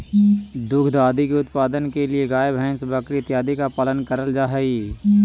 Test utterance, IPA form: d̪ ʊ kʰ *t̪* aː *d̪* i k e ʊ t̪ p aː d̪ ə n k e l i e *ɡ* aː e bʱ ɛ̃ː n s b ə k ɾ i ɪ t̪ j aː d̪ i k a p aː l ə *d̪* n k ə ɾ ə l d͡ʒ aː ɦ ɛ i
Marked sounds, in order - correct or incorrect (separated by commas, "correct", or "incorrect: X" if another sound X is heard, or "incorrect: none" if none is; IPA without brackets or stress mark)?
incorrect: d̪, correct, correct, incorrect: none